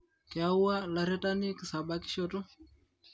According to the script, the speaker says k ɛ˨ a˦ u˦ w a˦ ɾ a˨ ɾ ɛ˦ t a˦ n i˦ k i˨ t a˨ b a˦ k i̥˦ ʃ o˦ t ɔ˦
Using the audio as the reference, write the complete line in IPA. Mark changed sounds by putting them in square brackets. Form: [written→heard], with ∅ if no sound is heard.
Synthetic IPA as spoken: k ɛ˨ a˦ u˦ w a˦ [ɾ→l] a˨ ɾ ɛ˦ t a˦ n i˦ k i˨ [t→s] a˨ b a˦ k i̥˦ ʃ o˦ t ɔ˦